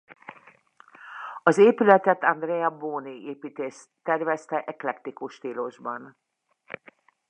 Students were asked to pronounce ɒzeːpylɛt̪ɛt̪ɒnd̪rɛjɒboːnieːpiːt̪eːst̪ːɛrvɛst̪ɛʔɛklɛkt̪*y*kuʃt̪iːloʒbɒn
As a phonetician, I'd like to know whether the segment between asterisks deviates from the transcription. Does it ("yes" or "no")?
yes